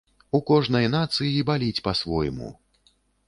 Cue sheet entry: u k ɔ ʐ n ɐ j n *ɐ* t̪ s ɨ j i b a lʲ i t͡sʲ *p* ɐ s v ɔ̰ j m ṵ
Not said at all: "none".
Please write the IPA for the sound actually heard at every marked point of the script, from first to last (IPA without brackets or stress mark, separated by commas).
a, p